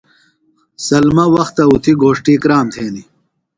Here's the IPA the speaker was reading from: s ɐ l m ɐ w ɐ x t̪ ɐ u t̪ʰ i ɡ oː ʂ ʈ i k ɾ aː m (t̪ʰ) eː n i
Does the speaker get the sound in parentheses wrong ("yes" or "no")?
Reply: no